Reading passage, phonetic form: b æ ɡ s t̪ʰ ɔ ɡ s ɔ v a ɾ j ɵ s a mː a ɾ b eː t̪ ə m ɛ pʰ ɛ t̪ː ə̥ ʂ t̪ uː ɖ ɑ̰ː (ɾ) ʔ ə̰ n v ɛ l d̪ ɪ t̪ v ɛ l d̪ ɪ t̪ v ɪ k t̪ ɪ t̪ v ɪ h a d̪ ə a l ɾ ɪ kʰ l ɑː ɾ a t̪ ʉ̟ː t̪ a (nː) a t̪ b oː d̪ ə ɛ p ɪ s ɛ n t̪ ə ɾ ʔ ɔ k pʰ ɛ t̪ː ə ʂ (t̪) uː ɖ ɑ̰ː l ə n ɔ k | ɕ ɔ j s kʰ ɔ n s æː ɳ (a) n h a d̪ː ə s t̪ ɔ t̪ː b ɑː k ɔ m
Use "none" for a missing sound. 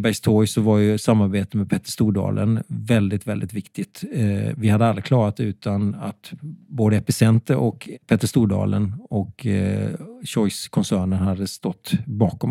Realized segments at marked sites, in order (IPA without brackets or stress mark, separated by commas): l, n, t̪, ə